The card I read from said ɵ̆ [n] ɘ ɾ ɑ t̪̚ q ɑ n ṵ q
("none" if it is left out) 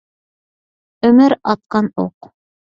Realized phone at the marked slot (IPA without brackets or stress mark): m